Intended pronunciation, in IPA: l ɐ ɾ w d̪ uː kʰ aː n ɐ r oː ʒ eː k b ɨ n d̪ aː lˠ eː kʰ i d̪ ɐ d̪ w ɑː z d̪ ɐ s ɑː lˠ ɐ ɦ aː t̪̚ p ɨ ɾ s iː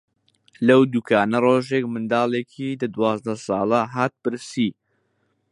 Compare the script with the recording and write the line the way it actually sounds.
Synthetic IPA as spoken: l ɐ w d̪ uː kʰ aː n ɐ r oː ʒ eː k m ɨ n d̪ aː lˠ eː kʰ i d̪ ɐ d̪ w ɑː z d̪ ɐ s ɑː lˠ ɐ ɦ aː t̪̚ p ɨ ɾ s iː